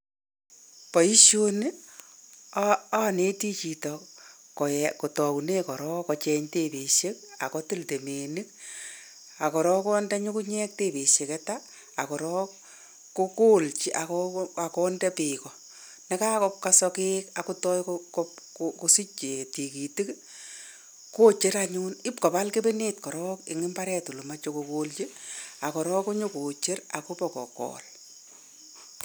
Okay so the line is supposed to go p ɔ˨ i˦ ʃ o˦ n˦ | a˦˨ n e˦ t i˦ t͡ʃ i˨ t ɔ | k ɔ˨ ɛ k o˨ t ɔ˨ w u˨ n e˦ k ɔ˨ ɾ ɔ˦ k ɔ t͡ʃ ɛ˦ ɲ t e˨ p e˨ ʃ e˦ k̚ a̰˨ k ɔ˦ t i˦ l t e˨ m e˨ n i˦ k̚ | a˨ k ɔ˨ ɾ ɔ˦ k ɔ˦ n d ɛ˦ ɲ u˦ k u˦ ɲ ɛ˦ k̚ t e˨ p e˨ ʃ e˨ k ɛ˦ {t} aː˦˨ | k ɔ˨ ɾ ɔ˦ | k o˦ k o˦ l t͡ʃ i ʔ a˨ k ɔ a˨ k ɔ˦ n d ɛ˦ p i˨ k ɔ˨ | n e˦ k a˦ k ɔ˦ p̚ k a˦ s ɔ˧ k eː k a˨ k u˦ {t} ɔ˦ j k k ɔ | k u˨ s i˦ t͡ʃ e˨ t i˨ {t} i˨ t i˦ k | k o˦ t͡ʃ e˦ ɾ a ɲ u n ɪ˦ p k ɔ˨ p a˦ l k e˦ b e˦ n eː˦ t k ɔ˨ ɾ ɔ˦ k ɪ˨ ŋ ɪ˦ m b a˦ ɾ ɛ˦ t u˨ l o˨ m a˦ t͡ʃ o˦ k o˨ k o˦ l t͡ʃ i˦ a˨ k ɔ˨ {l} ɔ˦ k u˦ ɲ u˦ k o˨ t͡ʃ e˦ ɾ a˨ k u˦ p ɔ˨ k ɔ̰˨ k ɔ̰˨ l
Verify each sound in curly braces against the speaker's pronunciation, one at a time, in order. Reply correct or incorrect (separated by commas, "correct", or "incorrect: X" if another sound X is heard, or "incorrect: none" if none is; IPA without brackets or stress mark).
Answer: correct, correct, incorrect: k, incorrect: ɾ